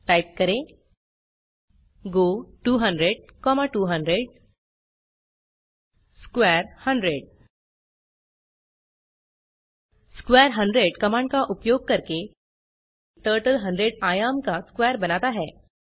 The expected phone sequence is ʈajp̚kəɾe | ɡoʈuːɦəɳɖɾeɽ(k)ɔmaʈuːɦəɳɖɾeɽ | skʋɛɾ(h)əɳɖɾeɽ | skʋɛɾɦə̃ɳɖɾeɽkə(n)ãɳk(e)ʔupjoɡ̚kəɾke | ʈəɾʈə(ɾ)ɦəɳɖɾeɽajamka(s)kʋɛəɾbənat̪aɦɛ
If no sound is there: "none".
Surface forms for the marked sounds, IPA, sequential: k, h, m, a, l, s

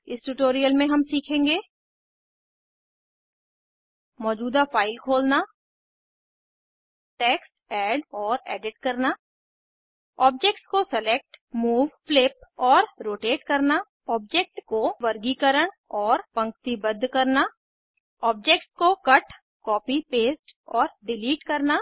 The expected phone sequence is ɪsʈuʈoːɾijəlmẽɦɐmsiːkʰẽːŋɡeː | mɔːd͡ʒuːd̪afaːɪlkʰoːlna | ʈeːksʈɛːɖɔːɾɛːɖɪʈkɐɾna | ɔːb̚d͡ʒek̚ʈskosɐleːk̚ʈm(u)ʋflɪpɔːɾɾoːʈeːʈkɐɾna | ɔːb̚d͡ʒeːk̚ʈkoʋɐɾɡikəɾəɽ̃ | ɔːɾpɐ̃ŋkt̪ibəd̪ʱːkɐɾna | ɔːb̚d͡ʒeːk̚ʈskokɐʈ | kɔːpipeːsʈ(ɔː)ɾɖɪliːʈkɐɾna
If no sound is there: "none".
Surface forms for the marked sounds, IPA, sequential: uː, ɔː

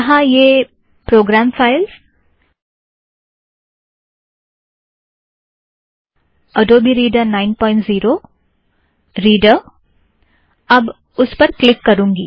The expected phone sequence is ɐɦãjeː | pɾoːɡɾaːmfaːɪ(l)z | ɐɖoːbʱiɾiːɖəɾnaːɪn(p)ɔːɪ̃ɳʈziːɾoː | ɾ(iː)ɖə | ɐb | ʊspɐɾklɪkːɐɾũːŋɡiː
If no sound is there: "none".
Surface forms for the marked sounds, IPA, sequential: l, p, iː

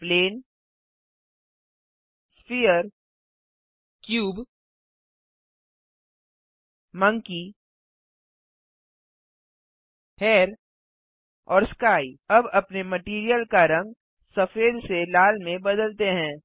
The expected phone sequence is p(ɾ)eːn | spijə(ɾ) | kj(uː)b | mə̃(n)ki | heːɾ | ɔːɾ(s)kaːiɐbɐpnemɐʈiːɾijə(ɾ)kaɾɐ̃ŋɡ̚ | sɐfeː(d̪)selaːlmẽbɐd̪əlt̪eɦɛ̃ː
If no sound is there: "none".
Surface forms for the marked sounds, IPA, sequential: l, ɾ, uː, ŋ, s, l, d̪

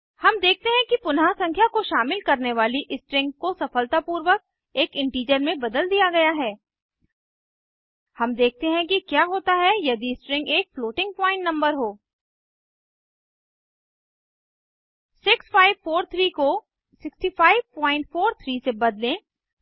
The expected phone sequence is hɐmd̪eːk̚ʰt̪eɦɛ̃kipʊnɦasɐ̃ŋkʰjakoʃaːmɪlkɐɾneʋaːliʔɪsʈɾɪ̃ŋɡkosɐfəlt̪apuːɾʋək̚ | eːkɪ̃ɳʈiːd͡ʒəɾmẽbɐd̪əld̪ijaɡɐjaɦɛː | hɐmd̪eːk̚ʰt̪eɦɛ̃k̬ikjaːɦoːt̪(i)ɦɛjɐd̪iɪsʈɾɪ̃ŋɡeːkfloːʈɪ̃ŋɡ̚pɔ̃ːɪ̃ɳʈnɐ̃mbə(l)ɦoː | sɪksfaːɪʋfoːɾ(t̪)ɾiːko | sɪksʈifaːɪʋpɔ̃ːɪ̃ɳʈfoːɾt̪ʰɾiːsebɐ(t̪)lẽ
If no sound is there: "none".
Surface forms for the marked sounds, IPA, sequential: a, ɾ, t̪ʰ, d̪

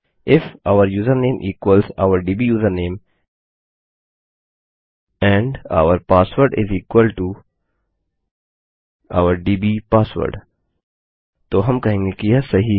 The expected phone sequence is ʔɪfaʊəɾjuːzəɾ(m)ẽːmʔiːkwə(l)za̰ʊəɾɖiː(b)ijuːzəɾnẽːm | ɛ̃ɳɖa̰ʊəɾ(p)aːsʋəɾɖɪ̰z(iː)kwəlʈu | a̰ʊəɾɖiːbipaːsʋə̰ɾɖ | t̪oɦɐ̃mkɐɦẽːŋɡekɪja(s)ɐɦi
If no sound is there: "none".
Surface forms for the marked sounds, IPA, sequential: n, l, b, p, iː, s

